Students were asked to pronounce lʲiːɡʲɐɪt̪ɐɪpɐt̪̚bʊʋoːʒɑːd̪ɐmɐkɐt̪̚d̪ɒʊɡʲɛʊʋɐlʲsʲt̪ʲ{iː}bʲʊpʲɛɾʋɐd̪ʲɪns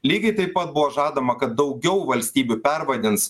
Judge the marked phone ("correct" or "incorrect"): correct